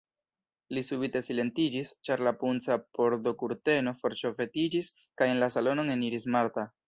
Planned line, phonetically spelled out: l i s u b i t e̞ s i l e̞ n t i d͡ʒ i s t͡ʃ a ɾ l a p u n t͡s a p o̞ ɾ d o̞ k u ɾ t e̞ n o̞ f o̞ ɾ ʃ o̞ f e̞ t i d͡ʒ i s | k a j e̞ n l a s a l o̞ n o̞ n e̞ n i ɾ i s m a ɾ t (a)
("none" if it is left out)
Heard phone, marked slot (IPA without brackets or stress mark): a